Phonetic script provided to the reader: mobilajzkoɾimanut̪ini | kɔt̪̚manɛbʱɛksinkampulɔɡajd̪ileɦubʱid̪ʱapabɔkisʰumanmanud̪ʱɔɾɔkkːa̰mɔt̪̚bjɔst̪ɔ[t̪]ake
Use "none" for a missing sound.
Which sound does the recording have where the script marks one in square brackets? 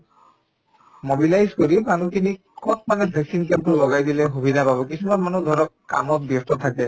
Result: t̪ʰ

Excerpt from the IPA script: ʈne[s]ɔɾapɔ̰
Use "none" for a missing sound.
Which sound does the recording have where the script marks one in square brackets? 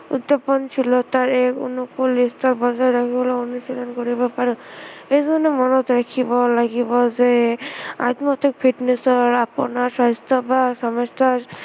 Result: s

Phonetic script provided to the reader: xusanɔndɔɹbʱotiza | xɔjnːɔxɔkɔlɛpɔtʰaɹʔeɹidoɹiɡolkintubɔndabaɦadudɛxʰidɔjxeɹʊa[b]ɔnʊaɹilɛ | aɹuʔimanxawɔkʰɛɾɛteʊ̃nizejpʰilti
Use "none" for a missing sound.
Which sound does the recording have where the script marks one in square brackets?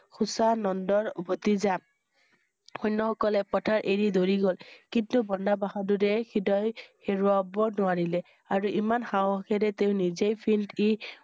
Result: b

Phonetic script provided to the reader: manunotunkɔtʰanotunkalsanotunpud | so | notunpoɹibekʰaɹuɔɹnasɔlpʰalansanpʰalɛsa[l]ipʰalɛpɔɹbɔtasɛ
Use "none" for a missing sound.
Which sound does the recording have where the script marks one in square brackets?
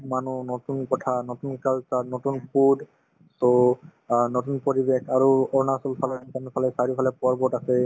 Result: ɹ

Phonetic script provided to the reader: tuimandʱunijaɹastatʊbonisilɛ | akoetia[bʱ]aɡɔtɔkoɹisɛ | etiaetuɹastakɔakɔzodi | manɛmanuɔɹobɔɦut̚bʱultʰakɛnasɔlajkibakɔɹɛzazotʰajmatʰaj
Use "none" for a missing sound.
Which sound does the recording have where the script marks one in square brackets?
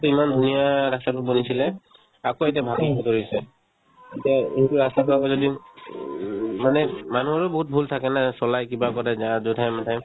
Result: bʱ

